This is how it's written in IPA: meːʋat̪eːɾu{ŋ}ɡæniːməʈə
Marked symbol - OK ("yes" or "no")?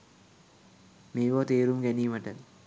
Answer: no